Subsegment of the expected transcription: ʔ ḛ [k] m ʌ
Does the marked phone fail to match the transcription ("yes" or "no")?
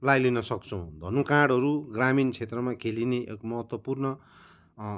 no